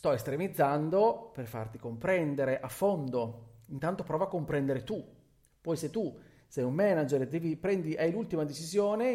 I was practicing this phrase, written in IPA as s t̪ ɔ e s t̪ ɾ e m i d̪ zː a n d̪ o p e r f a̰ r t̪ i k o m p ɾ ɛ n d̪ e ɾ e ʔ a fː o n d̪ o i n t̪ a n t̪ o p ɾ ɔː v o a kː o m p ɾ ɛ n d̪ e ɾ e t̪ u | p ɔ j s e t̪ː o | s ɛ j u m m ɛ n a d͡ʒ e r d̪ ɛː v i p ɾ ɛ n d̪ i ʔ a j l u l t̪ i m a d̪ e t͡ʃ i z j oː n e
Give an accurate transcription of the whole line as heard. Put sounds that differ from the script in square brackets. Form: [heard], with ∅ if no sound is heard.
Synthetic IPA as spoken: s t̪ ɔ e s t̪ ɾ e m i d̪ zː a n d̪ o p e r f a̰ r t̪ i k o m p ɾ ɛ n d̪ e ɾ e ʔ a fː o n d̪ o i n t̪ a n t̪ o p ɾ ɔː v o a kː o m p ɾ ɛ n d̪ e ɾ e t̪ u | p ɔ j s e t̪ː [u] | s ɛ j u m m ɛ n a d͡ʒ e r d̪ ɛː v i p ɾ ɛ n d̪ i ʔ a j l u l t̪ i m a d̪ e t͡ʃ i z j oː n e